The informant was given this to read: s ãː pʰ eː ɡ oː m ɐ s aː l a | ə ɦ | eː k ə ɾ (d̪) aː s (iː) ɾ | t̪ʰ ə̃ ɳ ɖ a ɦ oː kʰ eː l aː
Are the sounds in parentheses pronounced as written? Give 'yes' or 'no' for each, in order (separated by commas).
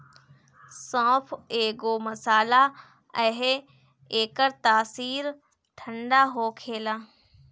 no, yes